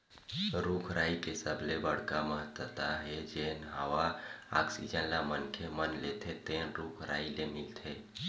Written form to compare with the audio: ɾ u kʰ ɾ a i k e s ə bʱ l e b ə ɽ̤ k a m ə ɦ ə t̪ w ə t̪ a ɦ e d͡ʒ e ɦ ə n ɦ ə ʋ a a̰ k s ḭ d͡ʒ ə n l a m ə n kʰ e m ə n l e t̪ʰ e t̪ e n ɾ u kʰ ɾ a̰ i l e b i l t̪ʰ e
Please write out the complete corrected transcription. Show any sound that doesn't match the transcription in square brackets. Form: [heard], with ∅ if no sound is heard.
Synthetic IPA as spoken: ɾ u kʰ ɾ a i k e s ə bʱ l e b ə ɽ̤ k a m ə ɦ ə t̪ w ə t̪ a ɦ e d͡ʒ e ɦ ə n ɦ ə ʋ a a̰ k s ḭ d͡ʒ ə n l a m ə n kʰ e m ə n l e t̪ʰ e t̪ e n ɾ u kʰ ɾ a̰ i l e [m] i l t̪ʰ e